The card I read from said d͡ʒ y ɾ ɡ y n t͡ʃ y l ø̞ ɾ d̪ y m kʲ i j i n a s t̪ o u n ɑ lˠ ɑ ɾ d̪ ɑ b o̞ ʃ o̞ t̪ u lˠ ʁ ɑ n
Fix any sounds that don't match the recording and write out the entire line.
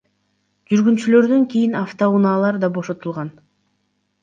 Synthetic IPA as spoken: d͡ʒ y ɾ ɡ y n t͡ʃ y l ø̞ ɾ d̪ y ŋ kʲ i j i n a f t̪ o u n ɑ lˠ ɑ ɾ d̪ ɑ b o̞ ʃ o̞ t̪ u lˠ ʁ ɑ n